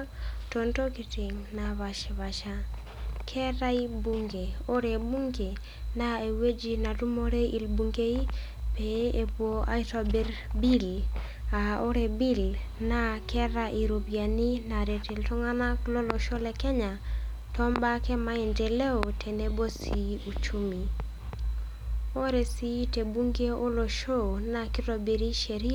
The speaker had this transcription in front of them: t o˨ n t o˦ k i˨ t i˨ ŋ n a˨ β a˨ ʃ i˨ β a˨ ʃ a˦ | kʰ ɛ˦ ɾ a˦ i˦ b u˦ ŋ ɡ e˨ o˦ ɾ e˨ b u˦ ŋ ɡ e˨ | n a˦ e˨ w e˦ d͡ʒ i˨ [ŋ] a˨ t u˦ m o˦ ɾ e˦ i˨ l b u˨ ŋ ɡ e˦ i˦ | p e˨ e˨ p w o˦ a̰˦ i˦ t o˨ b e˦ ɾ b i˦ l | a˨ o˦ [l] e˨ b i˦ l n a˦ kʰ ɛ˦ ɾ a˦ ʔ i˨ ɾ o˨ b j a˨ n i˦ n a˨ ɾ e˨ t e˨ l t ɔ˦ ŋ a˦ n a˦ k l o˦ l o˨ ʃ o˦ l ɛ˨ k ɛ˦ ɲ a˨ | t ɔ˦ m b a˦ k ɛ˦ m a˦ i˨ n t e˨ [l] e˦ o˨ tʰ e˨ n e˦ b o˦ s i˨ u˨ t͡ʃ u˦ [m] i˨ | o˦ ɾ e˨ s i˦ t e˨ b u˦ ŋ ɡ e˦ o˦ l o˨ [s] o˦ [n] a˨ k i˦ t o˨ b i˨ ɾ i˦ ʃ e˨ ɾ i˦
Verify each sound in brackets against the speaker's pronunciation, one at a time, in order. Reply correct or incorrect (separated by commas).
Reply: incorrect, incorrect, correct, correct, incorrect, correct